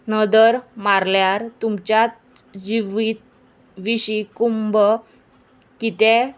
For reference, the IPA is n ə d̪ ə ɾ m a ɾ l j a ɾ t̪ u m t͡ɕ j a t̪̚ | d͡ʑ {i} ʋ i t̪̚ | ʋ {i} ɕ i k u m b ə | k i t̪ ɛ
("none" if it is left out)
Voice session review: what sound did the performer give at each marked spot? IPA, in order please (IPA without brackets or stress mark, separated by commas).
i, i